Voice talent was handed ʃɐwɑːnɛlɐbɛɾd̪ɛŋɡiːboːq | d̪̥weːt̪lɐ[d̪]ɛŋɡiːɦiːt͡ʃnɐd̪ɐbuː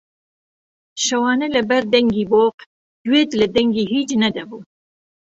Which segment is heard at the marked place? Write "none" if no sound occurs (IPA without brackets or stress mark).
d̪